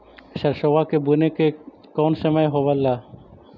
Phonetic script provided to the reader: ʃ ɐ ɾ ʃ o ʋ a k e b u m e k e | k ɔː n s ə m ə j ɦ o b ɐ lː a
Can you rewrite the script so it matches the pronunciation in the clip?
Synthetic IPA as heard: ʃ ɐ ɾ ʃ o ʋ a k e b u n e k e | k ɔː n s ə m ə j ɦ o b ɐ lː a